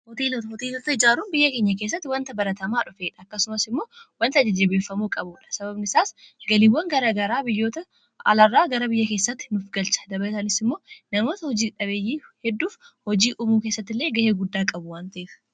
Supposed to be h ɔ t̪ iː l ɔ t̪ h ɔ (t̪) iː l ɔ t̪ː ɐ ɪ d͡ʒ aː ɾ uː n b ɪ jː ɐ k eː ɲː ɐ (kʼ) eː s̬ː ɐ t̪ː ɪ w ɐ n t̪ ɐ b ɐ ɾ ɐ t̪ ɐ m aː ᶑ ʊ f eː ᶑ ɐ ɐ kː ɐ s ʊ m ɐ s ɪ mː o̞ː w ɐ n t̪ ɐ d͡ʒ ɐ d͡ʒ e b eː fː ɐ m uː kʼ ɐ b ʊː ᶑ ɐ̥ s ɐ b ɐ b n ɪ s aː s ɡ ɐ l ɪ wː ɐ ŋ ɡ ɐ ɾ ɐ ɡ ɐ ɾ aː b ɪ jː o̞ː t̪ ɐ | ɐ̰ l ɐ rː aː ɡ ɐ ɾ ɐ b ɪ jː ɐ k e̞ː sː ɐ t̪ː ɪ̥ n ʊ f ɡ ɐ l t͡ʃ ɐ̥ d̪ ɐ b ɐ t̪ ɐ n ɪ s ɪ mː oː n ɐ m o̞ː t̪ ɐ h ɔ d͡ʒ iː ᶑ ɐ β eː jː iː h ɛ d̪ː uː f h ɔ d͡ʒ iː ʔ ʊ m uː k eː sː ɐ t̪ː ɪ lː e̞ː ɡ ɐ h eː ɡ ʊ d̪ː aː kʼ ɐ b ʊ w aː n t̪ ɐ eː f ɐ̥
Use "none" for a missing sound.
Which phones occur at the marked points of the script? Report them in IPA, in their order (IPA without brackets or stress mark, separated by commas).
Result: t̪, k